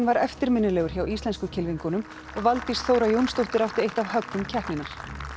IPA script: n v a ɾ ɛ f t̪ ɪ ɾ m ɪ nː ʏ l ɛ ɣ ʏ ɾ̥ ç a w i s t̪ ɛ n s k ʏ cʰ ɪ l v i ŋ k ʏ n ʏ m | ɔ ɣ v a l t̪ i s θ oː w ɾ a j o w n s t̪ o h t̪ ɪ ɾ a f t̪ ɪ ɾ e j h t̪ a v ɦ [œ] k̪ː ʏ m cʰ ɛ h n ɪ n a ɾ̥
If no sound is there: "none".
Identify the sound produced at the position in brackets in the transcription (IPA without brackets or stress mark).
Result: œ